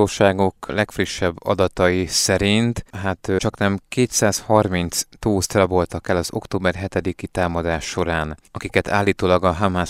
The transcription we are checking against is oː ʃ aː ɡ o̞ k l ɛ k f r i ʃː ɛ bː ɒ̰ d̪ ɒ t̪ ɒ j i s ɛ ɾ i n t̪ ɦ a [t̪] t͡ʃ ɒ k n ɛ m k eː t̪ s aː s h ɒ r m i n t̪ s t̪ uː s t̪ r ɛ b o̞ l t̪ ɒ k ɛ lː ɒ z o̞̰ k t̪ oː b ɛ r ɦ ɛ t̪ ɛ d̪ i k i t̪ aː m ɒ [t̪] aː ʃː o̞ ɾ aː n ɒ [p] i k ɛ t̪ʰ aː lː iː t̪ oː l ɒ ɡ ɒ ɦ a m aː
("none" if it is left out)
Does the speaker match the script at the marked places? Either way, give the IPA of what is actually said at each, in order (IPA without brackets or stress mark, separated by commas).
t̪, d̪, k